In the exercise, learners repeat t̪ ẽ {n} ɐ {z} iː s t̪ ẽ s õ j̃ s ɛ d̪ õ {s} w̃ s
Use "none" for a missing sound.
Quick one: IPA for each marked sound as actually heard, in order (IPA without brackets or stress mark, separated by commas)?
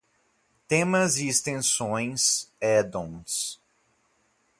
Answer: m, z, none